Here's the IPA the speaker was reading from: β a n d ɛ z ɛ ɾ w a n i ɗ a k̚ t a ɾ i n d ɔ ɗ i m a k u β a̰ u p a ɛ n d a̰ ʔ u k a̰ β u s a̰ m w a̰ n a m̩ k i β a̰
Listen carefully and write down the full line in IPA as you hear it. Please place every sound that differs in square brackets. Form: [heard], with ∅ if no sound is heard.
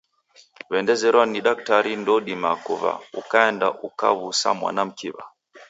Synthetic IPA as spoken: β [ɛ] n d ɛ z ɛ ɾ w a n i ɗ a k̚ t a ɾ i n d ɔ ɗ i m a k u β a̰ u [k] a ɛ n d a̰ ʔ u k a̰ β u s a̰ m w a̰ n a m̩ k i β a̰